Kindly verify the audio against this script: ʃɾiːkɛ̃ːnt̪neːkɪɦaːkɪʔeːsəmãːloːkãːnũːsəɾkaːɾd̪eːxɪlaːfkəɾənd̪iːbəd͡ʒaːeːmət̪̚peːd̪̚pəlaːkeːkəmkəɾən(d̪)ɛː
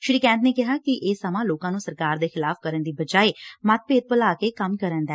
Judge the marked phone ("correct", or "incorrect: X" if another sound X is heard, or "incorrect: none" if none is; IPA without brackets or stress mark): correct